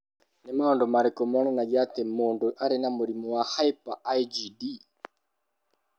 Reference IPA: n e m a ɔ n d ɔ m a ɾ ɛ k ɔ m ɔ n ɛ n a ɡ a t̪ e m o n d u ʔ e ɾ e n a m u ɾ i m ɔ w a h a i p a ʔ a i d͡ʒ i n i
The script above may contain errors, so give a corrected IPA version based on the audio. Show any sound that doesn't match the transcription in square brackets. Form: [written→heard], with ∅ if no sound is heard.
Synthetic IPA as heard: n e m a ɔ n d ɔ m a ɾ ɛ k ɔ m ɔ n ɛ n a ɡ a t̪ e m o n d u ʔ [e→a] ɾ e n a m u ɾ i m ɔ w a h a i p a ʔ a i d͡ʒ i [n→d] i